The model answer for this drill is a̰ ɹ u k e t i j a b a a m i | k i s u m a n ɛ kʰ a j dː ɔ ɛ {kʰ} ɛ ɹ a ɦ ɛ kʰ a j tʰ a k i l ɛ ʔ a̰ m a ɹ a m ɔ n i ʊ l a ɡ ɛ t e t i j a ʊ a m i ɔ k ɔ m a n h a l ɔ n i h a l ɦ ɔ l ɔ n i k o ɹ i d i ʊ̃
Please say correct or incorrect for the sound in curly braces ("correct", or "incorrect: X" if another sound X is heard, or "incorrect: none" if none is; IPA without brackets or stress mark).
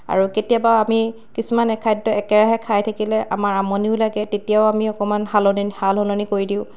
incorrect: k